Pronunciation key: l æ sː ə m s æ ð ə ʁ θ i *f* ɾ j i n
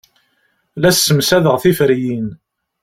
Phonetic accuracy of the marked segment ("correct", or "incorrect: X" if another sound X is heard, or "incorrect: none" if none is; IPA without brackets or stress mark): correct